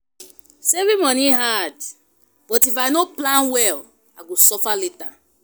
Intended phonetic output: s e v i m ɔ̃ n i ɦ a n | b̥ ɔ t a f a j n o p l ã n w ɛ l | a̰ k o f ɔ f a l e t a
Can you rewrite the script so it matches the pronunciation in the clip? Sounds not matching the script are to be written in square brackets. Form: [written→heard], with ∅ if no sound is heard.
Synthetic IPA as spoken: s e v i m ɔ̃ n i ɦ a [n→d] | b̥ ɔ t [a→i] f a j n o p l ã n w ɛ l | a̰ [k→ɡ] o [f→s] ɔ f a l e t a

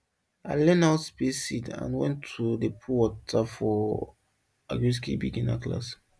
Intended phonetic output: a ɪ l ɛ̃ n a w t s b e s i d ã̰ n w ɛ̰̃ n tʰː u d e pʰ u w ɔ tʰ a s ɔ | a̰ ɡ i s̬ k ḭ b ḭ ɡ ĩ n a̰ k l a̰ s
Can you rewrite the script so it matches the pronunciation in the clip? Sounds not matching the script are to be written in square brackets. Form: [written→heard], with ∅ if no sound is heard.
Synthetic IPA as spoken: a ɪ l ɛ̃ n a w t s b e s i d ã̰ n w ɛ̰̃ n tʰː u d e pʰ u w ɔ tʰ a [s→f] ɔ | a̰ ɡ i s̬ k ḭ b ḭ ɡ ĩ n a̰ k l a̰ s

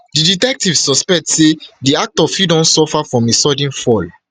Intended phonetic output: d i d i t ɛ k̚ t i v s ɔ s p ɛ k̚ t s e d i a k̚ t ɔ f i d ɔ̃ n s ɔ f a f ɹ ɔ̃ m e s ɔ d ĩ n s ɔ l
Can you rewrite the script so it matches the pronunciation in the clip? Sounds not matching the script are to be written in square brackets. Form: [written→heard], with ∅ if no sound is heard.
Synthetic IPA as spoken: d i d i t ɛ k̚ t i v s ɔ s p ɛ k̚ t s e d i a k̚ t ɔ f i d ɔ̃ n s ɔ f a f ɹ ɔ̃ m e s ɔ d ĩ n [s→f] ɔ l

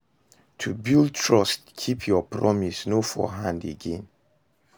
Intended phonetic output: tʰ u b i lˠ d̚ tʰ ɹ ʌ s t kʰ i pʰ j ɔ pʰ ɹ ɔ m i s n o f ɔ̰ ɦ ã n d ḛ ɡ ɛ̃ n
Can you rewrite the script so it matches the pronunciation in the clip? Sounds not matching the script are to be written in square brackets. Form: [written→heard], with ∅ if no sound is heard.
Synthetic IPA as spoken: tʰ u b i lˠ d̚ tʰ ɹ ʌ s t kʰ i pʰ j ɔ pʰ ɹ ɔ m i s n o f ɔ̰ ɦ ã n d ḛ ɡ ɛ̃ n

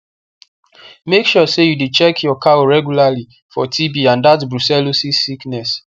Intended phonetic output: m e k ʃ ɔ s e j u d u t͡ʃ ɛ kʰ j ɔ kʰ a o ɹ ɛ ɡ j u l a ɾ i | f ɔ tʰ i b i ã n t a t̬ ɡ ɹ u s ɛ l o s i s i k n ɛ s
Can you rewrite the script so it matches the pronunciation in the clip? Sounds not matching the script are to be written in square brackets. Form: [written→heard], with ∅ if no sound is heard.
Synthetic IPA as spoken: m e k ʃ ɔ s e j u d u t͡ʃ ɛ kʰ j ɔ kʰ a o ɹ ɛ ɡ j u l a [ɾ→l] i | f ɔ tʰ i b i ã n [t→d] a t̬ [ɡ→b] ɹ u s ɛ l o s i s i k n ɛ s

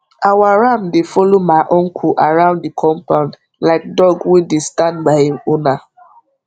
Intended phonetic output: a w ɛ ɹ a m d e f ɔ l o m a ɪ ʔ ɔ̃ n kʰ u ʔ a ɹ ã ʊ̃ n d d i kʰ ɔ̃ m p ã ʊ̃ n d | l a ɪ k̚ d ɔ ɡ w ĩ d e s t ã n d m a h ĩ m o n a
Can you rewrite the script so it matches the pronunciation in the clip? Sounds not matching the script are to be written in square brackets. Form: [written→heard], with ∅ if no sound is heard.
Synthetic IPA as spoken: a w [ɛ→a] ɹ a m d e f ɔ l o m a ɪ ʔ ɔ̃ n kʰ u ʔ a ɹ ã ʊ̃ n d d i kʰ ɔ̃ m p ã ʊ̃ n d | l a ɪ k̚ d ɔ ɡ w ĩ d e s t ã n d [m→b] a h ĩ m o n a

